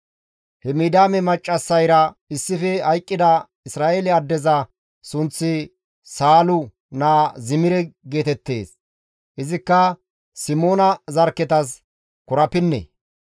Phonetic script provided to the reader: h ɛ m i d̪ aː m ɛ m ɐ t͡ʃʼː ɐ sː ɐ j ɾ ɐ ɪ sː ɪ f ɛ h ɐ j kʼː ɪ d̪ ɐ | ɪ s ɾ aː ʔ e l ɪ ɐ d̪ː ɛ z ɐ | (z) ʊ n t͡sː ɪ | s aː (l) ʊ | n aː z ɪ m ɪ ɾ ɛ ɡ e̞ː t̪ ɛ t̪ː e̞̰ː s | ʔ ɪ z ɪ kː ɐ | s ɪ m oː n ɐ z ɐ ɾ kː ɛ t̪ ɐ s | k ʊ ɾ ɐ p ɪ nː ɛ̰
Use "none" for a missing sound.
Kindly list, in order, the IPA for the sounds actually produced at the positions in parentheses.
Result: s, l

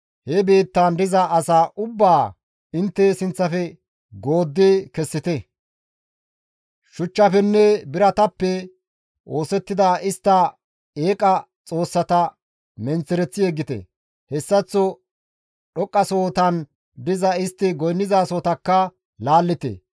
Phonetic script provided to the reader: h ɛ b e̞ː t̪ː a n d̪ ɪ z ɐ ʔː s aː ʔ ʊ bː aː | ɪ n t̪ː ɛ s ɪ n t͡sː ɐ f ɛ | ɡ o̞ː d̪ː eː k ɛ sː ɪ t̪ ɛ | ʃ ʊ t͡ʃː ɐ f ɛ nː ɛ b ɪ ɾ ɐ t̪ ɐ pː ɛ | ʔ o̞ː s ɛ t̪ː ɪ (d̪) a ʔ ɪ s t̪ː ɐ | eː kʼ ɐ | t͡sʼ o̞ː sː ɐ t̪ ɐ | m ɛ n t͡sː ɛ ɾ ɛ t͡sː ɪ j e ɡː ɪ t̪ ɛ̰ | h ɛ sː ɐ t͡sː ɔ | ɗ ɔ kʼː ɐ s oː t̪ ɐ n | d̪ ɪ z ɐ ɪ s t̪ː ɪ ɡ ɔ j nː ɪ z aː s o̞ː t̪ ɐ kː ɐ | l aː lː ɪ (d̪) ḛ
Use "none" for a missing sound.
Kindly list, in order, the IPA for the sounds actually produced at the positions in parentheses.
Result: d̪, t̪

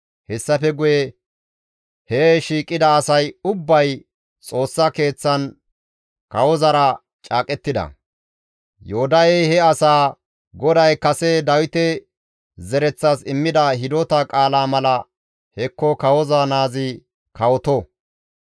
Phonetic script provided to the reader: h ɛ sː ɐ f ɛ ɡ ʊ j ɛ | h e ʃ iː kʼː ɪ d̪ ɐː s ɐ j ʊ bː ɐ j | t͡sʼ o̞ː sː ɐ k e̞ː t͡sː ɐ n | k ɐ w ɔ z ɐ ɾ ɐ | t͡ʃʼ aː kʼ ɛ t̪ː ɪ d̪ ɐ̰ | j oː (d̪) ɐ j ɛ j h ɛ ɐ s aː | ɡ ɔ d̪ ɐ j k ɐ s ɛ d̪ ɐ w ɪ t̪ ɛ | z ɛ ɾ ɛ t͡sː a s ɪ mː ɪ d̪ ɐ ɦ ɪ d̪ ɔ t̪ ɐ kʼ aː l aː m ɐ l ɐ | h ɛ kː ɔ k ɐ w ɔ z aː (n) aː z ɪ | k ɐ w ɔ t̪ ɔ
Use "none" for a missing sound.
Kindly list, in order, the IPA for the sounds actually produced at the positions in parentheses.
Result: d̪, n

